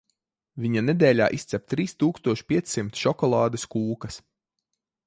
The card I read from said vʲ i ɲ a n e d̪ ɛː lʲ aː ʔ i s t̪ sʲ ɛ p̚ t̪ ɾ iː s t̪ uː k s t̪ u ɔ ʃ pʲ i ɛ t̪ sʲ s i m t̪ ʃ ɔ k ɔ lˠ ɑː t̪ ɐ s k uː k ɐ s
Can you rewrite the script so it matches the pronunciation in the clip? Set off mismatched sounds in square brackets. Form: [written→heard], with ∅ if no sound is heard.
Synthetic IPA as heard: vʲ i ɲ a n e d̪ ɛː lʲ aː ʔ i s t̪ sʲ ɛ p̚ t̪ ɾ iː s t̪ uː k s t̪ u ɔ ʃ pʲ i ɛ t̪ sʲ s i m t̪ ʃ ɔ k ɔ lˠ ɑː [t̪→d̪] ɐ s k uː k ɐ s